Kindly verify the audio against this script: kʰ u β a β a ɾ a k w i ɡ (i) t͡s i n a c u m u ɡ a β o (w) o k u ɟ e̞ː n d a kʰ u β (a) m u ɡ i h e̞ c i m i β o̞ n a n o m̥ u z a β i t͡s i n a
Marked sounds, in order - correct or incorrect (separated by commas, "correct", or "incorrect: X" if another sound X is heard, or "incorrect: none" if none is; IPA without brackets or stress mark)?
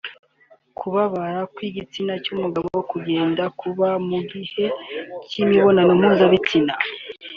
correct, correct, correct